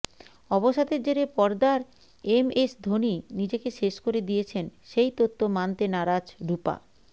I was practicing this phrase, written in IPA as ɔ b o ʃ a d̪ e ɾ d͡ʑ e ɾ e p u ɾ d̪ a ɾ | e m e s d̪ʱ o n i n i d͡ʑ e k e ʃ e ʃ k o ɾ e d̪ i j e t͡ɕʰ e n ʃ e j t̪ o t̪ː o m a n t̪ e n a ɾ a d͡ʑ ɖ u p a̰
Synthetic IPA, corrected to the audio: ɔ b o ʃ a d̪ e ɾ d͡ʑ e ɾ e p ɔ ɾ d̪ a ɾ | e m e s d̪ʱ o n i n i d͡ʑ e k e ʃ e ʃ k o ɾ e d̪ i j e t͡ɕʰ e n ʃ e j t̪ o t̪ː o m a n t̪ e n a ɾ a d͡ʑ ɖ u p a̰

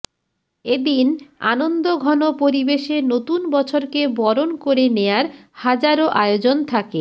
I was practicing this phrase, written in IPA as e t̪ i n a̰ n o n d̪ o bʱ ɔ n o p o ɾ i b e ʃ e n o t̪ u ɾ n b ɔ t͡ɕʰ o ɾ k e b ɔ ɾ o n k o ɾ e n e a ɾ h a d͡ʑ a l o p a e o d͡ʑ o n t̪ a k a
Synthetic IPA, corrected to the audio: e d̪ i n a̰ n o n d̪ o ɡʱ ɔ n o p o ɾ i b e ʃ e n o t̪ u n b ɔ t͡ɕʰ o ɾ k e b ɔ ɾ o n k o ɾ e n e a ɾ h a d͡ʑ a ɾ o ʔ a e o d͡ʑ o n t̪ʰ a k e

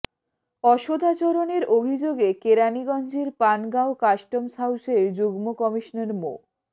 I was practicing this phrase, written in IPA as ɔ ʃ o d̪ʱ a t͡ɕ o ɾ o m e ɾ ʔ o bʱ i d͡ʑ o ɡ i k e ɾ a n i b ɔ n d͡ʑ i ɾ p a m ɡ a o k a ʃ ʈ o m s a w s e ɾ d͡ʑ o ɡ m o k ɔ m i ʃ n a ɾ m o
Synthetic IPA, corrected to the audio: ɔ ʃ o d̪ʱ a t͡ɕ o ɾ o n e ɾ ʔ o bʱ i d͡ʑ o ɡ e k e ɾ a n i ɡ ɔ n d͡ʑ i ɾ p a n ɡ a o k a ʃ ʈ o m s a w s e ɾ d͡ʑ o ɡ m o k ɔ m i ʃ n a ɾ m o

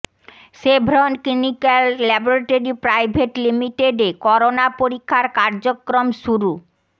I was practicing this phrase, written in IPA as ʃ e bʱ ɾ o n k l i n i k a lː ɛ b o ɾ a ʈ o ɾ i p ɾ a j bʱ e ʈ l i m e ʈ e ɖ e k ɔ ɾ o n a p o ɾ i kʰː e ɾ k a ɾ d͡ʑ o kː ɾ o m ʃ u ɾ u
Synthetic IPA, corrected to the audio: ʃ e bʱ ɾ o n k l i n i k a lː ɛ b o ɾ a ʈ o ɾ i p ɾ a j bʱ e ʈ l i m i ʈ e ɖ e k ɔ ɾ o n a p o ɾ i kʰː a ɾ k a ɾ d͡ʑ o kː ɾ o m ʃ u ɾ u

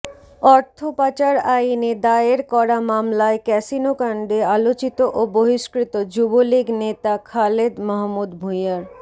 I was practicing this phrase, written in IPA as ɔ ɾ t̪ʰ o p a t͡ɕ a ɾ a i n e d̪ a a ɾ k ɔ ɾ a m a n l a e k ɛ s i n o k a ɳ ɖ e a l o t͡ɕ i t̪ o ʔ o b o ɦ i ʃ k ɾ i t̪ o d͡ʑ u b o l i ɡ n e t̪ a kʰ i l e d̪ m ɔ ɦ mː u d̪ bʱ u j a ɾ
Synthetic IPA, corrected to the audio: ɔ ɾ t̪ʰ o p a t͡ɕ a ɾ a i n e d̪ a e ɾ k ɔ ɾ a m a m l a e k ɛ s i n o k a ɳ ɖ e a l o t͡ɕ i t̪ o ʔ o b o ɦ i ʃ k ɾ i t̪ o d͡ʑ u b o l i ɡ n e t̪ a kʰ a l e d̪ m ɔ ɦ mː u d̪ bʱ u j a ɾ

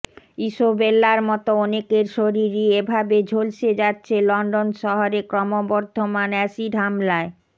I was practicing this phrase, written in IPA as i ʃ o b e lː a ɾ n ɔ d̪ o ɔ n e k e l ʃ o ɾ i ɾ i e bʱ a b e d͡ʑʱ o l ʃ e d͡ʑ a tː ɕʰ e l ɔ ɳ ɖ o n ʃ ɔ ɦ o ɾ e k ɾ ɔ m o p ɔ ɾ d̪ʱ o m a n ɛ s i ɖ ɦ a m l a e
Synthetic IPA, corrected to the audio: i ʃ o b e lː a ɾ m ɔ t̪ o ɔ n e k e ɾ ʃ o ɾ i ɾ i e bʱ a b e d͡ʑʱ o l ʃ e d͡ʑ a tː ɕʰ e l ɔ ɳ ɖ o n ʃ ɔ ɦ o ɾ e k ɾ ɔ m o b ɔ ɾ d̪ʱ o m a n ɛ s i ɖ ɦ a m l a e

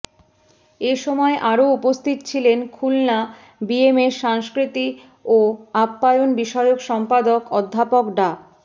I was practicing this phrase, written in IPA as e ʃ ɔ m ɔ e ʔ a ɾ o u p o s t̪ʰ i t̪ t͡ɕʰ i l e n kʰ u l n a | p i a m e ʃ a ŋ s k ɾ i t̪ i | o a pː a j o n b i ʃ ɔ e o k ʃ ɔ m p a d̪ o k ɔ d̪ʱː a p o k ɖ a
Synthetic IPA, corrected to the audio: e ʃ ɔ m ɔ e ʔ a ɾ o u p o s t̪ʰ i t̪ t͡ɕʰ i l e n kʰ u l n a | b i e m e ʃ a ŋ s k ɾ i t̪ i | o a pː a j o n b i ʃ ɔ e o k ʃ ɔ m p a d̪ o k ɔ d̪ʱː a p o k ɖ a

